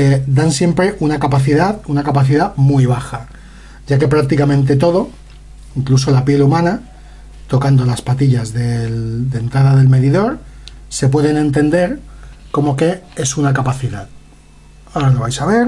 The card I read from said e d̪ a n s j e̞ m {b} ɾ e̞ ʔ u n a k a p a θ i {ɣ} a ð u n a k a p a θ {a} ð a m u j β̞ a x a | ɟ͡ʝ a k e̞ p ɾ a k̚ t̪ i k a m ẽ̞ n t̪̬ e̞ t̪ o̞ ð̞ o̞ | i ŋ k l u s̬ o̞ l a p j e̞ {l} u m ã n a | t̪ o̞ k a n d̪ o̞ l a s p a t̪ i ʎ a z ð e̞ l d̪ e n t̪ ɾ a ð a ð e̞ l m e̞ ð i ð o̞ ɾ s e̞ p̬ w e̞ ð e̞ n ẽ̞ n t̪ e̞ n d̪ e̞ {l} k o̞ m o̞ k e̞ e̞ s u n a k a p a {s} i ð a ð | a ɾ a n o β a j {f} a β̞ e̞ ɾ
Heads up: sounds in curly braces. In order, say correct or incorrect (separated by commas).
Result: incorrect, incorrect, incorrect, correct, incorrect, incorrect, incorrect